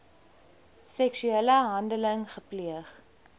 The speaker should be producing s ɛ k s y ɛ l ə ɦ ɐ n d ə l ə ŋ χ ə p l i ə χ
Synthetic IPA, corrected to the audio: s ɛ k s y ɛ l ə ɦ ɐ n d ə l ə ŋ χ ə p l i ə χ